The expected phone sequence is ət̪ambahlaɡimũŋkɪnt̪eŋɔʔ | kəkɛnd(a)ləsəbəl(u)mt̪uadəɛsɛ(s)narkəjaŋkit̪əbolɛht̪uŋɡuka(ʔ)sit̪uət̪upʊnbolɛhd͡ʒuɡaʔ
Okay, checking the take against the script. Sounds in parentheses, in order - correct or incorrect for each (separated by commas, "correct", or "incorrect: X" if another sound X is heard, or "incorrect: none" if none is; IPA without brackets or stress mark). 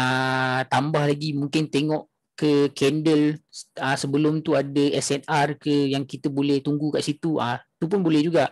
incorrect: ə, incorrect: ʊ, incorrect: none, correct